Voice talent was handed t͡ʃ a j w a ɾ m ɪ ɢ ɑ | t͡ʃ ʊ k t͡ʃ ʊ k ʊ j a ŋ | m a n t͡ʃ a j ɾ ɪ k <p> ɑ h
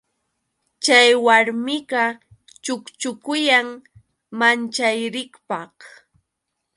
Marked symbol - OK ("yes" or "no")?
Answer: yes